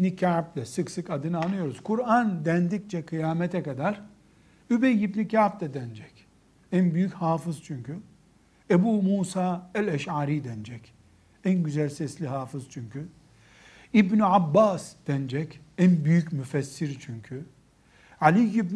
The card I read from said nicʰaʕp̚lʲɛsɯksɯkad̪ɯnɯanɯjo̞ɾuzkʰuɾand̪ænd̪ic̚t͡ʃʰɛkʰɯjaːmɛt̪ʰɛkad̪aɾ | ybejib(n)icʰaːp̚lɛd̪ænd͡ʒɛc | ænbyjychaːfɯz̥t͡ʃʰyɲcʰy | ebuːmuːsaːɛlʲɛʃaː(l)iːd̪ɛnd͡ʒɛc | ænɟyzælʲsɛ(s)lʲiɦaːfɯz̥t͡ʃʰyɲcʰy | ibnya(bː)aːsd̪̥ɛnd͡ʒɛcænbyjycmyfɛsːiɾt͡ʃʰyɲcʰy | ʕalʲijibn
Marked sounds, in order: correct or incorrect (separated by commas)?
correct, incorrect, correct, correct